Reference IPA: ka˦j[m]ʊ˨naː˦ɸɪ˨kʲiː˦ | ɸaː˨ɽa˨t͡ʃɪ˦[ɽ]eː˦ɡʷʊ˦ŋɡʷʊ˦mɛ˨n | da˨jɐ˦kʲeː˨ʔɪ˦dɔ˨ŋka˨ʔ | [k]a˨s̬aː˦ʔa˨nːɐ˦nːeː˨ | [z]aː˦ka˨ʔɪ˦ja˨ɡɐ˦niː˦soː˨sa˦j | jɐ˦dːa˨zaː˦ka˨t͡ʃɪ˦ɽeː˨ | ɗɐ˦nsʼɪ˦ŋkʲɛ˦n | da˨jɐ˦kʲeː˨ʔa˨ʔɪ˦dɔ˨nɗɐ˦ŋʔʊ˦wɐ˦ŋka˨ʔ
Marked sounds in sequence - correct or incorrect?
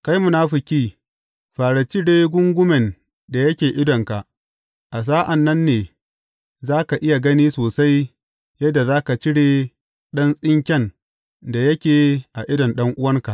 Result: correct, correct, incorrect, correct

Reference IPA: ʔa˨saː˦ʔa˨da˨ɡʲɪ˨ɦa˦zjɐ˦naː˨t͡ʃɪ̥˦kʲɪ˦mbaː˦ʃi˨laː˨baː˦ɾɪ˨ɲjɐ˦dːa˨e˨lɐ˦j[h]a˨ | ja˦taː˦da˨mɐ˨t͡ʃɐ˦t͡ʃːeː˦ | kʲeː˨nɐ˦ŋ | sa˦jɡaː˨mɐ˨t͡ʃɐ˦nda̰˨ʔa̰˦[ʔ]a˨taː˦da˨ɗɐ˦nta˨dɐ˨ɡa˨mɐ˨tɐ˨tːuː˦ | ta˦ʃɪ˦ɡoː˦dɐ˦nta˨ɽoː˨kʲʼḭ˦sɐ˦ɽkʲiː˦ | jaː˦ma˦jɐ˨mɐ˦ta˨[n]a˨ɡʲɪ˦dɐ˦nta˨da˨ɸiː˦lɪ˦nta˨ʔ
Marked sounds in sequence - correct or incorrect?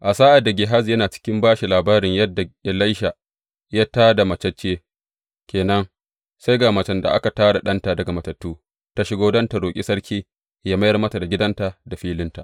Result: incorrect, incorrect, incorrect

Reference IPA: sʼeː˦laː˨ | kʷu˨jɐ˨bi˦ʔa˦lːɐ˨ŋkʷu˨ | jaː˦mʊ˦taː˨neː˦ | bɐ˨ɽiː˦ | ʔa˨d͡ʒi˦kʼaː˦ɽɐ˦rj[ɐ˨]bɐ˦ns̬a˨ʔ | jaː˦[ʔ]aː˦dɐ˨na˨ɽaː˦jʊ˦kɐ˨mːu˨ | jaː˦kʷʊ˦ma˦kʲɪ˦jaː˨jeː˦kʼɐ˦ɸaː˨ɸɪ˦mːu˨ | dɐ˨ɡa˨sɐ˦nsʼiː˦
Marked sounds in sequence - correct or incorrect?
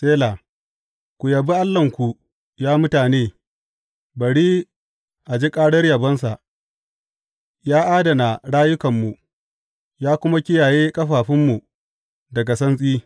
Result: correct, correct

